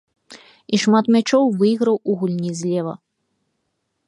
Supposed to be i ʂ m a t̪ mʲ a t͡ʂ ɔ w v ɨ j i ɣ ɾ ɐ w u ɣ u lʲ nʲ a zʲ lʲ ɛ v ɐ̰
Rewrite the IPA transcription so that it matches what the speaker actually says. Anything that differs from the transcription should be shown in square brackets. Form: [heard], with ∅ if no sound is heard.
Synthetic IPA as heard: i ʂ m a t̪ mʲ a t͡ʂ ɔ w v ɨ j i ɣ ɾ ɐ w u ɣ u lʲ nʲ [i] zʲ lʲ ɛ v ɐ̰